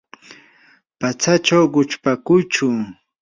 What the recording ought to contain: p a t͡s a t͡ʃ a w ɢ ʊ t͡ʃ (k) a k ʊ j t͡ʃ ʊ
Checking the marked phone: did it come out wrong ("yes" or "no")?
yes